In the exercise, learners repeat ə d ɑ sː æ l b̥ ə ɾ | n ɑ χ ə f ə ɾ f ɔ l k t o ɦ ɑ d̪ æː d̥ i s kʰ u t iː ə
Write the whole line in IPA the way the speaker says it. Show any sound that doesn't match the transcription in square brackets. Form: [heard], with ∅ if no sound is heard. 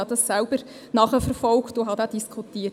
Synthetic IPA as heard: [ɑ] d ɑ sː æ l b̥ ə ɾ | n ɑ χ ə f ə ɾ f ɔ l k t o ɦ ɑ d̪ æː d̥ i s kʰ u t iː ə